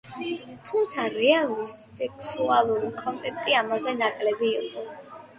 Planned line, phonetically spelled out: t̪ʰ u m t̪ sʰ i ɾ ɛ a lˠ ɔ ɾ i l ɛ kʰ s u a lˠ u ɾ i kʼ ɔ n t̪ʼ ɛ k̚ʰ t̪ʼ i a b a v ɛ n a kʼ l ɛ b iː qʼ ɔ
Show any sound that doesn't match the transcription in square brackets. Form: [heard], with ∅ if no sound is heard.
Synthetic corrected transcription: t̪ʰ u m t̪ sʰ [a] ɾ ɛ a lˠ [u] ɾ i [∅] ɛ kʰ s u a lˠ u ɾ i kʼ ɔ n t̪ʼ ɛ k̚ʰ t̪ʼ i a [m] a [z] ɛ n a kʼ l ɛ b iː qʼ ɔ

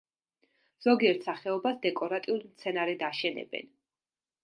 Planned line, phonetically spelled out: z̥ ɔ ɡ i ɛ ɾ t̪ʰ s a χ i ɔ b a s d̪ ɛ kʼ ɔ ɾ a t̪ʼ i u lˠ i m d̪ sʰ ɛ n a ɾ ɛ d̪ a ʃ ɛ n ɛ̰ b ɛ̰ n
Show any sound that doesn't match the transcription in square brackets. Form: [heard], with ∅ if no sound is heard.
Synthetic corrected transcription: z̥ ɔ ɡ i ɛ ɾ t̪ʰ s a χ [ɛ] ɔ b a s d̪ ɛ kʼ ɔ ɾ a t̪ʼ i u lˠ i m [t̪] sʰ ɛ n a ɾ ɛ d̪ a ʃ ɛ n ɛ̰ b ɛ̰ n

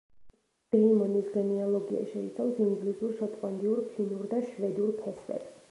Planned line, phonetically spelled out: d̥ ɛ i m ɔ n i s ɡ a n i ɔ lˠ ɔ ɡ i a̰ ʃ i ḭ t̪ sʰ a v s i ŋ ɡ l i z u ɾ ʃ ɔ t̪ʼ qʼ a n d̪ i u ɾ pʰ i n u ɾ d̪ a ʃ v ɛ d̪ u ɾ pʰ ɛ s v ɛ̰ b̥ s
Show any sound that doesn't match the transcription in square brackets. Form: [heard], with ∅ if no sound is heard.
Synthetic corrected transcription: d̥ ɛ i m ɔ n i s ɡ [ɛ] n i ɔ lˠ ɔ ɡ i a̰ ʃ [ɛ] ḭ t̪ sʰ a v s i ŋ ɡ l i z u ɾ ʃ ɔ t̪ʼ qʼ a n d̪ i u ɾ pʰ i n u ɾ d̪ a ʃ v ɛ d̪ u ɾ pʰ ɛ s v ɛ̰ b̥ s

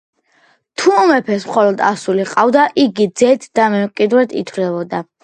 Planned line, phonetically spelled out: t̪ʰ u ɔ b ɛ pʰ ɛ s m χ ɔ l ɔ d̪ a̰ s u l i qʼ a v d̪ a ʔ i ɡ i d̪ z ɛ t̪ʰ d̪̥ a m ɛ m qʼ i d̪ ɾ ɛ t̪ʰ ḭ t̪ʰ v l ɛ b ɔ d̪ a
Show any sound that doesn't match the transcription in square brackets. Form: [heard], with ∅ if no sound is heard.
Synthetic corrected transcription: t̪ʰ u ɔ [m] ɛ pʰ ɛ s m χ ɔ l ɔ d̪ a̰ s u l i qʼ a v d̪ a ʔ i ɡ i d̪ z ɛ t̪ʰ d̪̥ a m ɛ m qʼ i d̪ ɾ ɛ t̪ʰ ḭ t̪ʰ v l ɛ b ɔ d̪ a

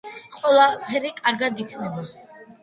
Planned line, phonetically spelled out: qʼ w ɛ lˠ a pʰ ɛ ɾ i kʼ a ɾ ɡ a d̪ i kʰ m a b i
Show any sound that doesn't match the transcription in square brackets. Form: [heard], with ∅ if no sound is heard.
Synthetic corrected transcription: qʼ w ɛ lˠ a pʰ ɛ ɾ i kʼ a ɾ ɡ a d̪ i kʰ [n] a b [a]

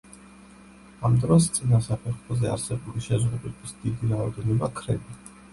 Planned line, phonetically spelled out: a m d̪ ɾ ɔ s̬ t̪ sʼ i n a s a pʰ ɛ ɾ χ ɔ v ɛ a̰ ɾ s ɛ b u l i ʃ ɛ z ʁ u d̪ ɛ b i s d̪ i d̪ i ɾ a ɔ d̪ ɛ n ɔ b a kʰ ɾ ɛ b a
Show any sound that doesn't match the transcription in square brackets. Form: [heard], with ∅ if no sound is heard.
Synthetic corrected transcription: a m d̪ ɾ ɔ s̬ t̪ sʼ i n a s a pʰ ɛ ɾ χ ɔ [z] ɛ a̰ ɾ s ɛ b u l i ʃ ɛ z ʁ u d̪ ɛ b i s d̪ i d̪ i ɾ a ɔ d̪ ɛ n ɔ b a kʰ ɾ ɛ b [i]

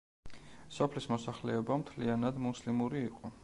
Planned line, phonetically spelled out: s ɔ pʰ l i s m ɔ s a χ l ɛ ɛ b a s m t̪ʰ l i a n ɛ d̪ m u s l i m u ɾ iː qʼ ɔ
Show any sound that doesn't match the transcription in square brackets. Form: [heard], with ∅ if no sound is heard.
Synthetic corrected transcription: s ɔ pʰ l i s m ɔ s a χ l ɛ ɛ b a [∅] m t̪ʰ l i a n [a] d̪ m u s l i m u ɾ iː qʼ ɔ

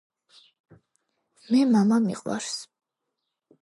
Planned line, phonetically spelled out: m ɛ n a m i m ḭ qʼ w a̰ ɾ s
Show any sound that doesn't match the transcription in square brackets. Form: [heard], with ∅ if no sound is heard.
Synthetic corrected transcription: m ɛ [m] a m [a] m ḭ qʼ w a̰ ɾ s

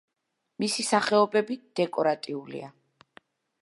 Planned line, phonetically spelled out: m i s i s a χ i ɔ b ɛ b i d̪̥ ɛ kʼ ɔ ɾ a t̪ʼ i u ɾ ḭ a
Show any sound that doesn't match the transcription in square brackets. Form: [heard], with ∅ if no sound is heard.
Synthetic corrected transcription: m i s i s a χ [ɛ] ɔ b ɛ b i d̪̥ ɛ kʼ ɔ ɾ a t̪ʼ i u [l] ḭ a

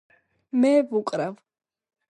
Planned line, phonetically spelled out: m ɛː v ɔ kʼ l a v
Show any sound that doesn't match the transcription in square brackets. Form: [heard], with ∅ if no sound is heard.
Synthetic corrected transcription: m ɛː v [u] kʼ [ɾ] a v

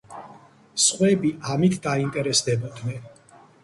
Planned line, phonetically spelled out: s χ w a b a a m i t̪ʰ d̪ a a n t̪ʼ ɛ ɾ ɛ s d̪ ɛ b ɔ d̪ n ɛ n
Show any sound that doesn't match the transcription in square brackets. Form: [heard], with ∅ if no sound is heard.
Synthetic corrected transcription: s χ w [ɛ] b [i] a m i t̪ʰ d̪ a [i] n t̪ʼ ɛ ɾ ɛ s d̪ ɛ b ɔ d̪ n ɛ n

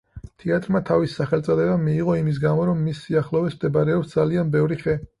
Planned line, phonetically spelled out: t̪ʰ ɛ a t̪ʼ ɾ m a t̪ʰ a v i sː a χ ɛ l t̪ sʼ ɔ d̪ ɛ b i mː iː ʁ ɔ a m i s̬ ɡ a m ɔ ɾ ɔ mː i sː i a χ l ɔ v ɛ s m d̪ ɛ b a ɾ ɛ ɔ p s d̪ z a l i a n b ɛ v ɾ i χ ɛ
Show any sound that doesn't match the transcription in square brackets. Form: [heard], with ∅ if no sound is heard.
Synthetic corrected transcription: t̪ʰ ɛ a t̪ʼ ɾ m a t̪ʰ a v i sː a χ ɛ l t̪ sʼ ɔ d̪ ɛ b [a] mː iː ʁ ɔ [i] m i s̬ ɡ a m ɔ ɾ ɔ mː i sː i a χ l ɔ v ɛ s m d̪ ɛ b a ɾ ɛ ɔ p s d̪ z a l i a n b ɛ v ɾ i χ ɛ

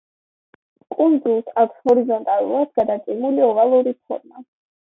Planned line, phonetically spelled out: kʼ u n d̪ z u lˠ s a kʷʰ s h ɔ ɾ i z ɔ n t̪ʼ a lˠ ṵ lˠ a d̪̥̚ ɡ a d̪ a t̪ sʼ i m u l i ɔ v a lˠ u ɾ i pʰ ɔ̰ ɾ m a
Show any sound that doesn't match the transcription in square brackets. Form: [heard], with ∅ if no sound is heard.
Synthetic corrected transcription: kʼ u n d̪ z u lˠ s a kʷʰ s h ɔ ɾ i z ɔ n t̪ʼ a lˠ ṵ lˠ a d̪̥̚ ɡ a d̪ a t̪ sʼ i m u l i ɔ v a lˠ u ɾ i pʰ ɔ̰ ɾ m a

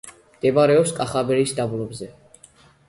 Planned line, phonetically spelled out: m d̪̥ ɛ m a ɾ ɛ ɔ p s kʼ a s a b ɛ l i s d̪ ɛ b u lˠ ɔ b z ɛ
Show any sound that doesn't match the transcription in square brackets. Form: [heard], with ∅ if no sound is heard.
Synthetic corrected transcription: m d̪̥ ɛ [b] a ɾ ɛ ɔ p s kʼ a [χ] a b ɛ [ɾ] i s d̪ [a] b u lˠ ɔ b z ɛ

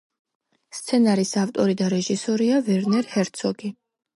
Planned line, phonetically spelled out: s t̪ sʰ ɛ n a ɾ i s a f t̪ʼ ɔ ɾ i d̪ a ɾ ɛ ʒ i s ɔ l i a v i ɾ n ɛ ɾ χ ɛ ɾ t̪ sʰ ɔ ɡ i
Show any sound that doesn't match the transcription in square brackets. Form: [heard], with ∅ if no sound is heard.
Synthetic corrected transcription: s t̪ sʰ ɛ n a ɾ i s a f t̪ʼ ɔ ɾ i d̪ a ɾ ɛ ʒ i s ɔ [ɾ] i a v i ɾ n ɛ ɾ [h] ɛ ɾ t̪ sʰ ɔ ɡ i

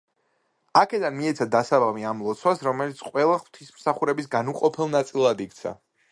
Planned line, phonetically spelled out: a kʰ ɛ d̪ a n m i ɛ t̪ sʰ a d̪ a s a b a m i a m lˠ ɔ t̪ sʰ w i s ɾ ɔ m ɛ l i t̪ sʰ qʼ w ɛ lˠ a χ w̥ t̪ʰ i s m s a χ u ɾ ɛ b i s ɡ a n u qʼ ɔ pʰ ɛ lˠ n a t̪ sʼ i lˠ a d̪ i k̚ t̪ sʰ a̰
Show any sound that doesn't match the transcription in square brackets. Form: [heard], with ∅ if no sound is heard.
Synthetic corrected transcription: a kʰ ɛ d̪ a n m i ɛ t̪ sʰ a d̪ a s a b a m i a m lˠ ɔ t̪ sʰ w [a] s ɾ ɔ m ɛ l i t̪ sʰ qʼ w ɛ lˠ a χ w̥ t̪ʰ i s m s a χ u ɾ ɛ b i s ɡ a n u qʼ ɔ pʰ ɛ lˠ n a t̪ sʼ i lˠ a d̪ i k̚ t̪ sʰ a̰

